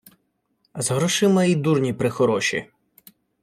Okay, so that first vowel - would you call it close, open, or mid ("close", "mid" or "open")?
mid